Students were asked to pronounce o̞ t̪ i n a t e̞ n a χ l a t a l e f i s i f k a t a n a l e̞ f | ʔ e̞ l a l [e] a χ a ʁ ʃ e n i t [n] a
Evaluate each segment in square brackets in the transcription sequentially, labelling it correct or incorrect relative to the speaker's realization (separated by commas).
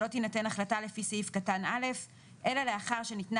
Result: correct, correct